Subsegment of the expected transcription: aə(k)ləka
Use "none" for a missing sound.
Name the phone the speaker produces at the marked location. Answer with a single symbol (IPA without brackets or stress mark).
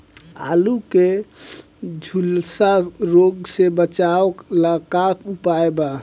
k